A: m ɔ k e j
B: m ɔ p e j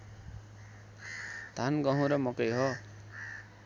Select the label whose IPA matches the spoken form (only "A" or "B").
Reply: A